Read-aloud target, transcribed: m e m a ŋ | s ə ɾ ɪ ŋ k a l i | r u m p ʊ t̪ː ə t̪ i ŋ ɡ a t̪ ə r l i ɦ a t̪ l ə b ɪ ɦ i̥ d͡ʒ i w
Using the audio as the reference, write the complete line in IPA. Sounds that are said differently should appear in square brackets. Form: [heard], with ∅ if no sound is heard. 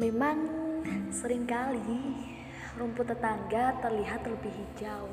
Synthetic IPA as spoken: m e m a ŋ | s ə ɾ ɪ ŋ k a l i | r u m p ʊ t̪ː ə t̪ [a] ŋ ɡ a t̪ ə r l i ɦ a t̪ l ə b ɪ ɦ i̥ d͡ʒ [a] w